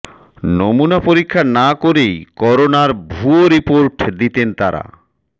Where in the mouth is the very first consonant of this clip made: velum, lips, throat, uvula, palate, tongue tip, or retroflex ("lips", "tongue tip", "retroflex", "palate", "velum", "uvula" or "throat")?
tongue tip